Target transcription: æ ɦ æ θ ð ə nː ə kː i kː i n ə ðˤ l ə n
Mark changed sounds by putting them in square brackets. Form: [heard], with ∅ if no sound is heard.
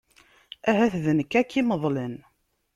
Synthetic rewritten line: æ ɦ æ θ ð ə [n] ə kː [æ] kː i [m] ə ðˤ l ə n